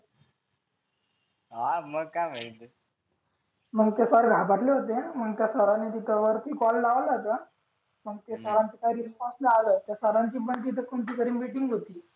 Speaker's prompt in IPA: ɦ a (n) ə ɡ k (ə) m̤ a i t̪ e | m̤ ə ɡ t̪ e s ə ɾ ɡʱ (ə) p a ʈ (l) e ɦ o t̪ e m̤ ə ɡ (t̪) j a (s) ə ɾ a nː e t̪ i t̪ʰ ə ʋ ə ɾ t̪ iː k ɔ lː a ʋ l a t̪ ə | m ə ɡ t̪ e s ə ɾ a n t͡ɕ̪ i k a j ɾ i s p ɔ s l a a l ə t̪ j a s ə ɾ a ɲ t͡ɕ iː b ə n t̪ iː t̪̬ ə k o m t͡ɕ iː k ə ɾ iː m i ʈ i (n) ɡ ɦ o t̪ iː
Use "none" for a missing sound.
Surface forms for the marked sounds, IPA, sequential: m, a, a, l, t̪, s, ŋ

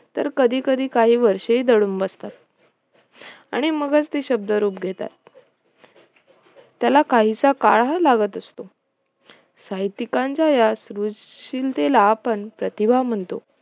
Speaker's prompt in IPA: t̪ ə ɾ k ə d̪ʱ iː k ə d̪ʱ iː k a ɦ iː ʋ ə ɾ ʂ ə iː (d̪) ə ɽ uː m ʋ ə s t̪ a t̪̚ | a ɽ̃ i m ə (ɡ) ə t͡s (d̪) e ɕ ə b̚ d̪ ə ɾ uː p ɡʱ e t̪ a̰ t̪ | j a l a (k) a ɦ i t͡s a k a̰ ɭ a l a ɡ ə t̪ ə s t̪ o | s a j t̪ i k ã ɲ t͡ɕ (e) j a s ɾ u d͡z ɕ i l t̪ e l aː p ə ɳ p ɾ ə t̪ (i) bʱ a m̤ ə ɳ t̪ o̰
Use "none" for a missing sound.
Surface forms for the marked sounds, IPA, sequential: d̪, ɡ, t̪, k, a, i

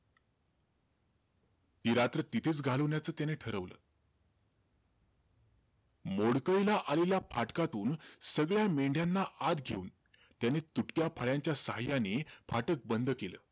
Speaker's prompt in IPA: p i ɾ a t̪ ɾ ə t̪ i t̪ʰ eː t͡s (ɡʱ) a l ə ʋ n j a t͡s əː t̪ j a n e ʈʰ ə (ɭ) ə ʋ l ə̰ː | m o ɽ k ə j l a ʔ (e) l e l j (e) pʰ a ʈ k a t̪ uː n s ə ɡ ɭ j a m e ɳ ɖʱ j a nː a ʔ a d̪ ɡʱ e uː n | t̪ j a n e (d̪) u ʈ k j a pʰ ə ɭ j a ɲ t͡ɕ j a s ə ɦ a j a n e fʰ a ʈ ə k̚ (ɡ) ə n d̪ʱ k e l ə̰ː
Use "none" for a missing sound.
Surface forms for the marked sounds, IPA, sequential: ɡʱ, ɾ, a, a, t̪, b

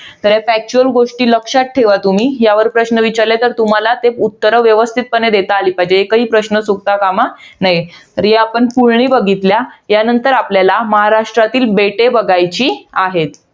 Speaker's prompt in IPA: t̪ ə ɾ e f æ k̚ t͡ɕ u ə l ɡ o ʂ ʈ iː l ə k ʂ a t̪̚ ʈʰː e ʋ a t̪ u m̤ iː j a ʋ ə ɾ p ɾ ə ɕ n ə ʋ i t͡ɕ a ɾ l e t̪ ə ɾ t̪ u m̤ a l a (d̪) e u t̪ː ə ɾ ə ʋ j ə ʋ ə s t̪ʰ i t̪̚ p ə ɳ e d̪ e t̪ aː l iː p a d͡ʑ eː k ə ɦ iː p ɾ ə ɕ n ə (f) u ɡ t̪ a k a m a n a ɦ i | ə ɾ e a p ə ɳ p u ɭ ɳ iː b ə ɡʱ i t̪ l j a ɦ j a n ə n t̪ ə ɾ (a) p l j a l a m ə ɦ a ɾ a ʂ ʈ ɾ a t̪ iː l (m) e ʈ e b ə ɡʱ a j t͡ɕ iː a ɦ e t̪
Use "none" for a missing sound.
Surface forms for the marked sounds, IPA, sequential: t̪, s, a, b

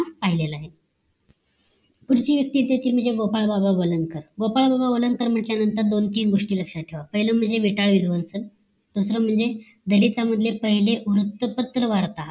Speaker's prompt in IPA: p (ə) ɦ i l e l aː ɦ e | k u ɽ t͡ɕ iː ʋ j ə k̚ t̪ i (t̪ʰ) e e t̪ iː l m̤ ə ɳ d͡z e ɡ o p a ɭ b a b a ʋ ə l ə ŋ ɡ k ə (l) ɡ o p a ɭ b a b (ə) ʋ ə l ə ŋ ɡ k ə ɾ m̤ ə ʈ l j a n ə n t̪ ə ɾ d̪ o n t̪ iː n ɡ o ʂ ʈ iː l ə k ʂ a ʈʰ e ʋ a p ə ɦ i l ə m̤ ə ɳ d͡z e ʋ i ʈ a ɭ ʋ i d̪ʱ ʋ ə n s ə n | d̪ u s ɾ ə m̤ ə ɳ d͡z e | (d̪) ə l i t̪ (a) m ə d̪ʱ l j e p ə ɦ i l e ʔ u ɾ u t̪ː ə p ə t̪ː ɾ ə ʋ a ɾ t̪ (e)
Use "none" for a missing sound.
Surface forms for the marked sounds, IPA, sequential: a, t̪, ɾ, a, d̪, a, a

